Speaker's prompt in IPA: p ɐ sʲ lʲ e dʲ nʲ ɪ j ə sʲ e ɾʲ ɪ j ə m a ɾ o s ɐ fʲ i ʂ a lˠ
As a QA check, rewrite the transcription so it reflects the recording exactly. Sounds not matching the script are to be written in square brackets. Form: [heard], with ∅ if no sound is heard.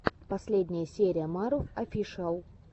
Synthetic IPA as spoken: p ɐ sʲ lʲ e dʲ nʲ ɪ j ə sʲ e ɾʲ ɪ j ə m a ɾ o [f] ɐ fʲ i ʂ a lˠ